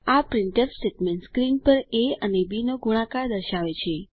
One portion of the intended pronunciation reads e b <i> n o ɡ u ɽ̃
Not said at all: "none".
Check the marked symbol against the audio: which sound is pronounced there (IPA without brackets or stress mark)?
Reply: i